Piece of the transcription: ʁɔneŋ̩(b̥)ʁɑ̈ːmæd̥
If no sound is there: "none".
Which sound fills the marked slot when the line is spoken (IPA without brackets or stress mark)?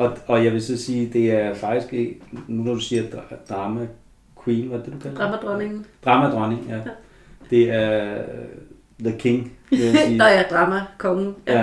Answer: d̥